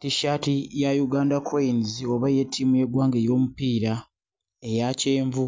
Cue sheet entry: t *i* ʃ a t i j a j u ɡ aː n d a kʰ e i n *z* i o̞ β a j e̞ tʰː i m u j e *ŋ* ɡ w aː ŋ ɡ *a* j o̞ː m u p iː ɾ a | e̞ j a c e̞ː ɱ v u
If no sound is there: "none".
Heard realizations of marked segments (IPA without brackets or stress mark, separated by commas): i, z, none, e